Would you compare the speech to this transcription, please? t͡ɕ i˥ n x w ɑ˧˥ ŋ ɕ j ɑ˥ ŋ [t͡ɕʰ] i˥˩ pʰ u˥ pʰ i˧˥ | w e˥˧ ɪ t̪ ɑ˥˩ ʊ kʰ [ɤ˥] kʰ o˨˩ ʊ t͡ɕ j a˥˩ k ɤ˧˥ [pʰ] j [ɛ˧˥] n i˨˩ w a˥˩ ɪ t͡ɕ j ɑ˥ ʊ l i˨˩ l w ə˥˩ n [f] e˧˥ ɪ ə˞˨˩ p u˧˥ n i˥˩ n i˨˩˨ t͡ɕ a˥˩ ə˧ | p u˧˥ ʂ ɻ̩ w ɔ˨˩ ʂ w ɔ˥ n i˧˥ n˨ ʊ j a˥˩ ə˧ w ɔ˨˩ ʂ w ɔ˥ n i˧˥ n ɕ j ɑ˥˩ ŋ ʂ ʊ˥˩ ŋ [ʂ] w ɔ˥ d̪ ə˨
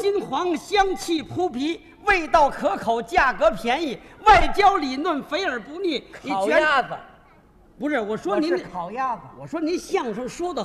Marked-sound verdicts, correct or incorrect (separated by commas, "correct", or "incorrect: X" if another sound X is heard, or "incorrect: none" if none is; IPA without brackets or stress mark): correct, incorrect: ɤ˧˥, correct, correct, correct, correct